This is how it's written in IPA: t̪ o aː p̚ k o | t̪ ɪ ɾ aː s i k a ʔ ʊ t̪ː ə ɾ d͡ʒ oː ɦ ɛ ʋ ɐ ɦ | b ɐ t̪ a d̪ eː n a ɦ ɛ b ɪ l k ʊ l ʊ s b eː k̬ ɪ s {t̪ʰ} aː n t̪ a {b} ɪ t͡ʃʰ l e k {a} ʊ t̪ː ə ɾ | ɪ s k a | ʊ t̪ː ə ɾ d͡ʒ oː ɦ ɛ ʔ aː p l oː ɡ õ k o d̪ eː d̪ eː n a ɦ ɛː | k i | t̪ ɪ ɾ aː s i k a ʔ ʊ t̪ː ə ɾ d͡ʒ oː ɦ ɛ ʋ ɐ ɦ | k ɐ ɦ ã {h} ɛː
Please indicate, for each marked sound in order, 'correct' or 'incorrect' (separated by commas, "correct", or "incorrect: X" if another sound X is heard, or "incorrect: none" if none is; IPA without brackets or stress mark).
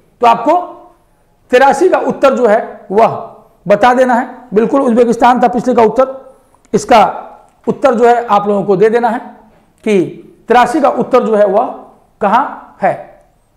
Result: incorrect: t̪, incorrect: p, correct, correct